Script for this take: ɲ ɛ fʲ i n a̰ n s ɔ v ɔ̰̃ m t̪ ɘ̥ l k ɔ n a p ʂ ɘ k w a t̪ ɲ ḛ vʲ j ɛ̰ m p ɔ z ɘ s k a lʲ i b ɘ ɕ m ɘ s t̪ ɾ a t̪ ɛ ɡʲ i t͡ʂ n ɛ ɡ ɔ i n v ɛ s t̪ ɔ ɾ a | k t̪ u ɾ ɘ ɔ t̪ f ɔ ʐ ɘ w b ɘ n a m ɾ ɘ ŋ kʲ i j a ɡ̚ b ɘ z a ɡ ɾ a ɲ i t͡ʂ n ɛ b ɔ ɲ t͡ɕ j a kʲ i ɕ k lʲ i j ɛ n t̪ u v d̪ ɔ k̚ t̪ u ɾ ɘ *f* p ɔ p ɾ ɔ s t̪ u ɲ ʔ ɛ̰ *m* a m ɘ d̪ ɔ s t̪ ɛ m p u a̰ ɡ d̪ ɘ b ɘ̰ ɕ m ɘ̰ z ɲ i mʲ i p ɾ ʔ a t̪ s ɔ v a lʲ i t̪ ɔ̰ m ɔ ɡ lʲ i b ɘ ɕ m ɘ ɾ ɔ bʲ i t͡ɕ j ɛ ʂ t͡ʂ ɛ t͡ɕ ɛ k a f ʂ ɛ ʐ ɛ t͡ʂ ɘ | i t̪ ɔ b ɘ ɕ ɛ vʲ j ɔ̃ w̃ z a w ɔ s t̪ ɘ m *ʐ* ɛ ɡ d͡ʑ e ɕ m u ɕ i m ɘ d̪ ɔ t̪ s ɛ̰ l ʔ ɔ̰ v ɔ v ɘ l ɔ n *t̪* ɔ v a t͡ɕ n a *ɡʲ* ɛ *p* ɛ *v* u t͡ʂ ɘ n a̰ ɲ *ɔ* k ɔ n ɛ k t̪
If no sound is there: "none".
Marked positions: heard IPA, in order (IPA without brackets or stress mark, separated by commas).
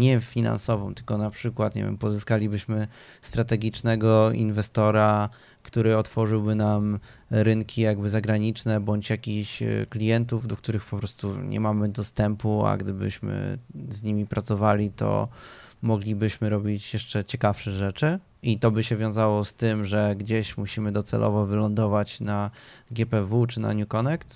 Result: x, m, ʐ, d̪, ɡʲ, p, v, u